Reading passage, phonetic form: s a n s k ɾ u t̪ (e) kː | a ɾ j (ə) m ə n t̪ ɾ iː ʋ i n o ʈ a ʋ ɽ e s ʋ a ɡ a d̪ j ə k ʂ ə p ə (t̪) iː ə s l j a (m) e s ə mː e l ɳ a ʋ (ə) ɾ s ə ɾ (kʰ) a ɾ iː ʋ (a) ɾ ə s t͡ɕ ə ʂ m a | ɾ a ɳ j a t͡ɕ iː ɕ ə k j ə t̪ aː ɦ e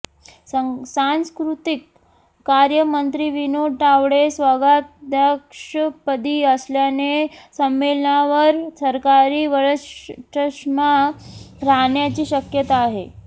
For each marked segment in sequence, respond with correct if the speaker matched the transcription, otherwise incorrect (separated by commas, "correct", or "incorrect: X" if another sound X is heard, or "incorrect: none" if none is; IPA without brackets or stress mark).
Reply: incorrect: i, correct, incorrect: d̪, incorrect: n, correct, incorrect: k, incorrect: ə